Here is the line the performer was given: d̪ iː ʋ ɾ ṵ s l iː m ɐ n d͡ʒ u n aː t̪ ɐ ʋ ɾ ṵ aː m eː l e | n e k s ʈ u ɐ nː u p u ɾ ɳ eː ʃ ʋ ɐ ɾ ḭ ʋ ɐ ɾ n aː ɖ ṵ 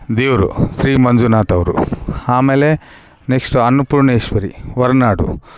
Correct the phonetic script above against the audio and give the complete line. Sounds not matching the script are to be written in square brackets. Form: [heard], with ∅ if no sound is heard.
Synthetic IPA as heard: d̪ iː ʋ ɾ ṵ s [ɾ] iː m ɐ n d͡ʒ u n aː t̪ ɐ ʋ ɾ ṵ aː m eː l e | n e k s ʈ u ɐ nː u p u ɾ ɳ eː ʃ ʋ ɐ ɾ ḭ ʋ ɐ ɾ n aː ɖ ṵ